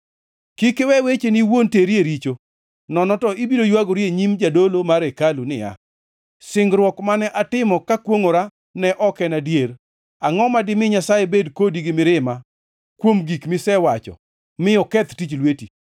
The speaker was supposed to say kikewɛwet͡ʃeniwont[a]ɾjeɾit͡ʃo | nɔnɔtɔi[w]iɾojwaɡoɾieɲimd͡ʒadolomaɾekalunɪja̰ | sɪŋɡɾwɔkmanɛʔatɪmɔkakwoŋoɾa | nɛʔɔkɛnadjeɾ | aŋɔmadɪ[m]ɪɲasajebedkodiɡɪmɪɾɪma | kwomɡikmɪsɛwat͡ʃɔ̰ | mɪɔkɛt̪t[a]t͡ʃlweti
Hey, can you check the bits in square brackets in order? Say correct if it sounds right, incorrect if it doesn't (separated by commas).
incorrect, incorrect, correct, incorrect